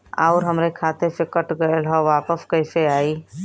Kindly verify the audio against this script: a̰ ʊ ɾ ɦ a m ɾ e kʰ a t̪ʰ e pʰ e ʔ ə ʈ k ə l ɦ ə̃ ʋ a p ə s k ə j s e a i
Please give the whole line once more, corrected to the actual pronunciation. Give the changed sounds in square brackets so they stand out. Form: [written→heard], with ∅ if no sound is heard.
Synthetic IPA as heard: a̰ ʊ ɾ ɦ [a→ə] m ɾ e kʰ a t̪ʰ e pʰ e [ʔ→k] ə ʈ [k→ɡ] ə l ɦ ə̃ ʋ a p ə s k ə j s e a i